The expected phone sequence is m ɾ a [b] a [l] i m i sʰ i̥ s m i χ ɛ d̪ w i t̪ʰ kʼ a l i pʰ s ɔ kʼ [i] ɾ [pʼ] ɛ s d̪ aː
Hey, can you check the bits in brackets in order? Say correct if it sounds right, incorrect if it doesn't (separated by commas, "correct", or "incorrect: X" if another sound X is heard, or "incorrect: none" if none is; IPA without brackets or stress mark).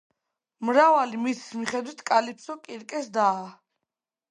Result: incorrect: v, correct, correct, incorrect: kʼ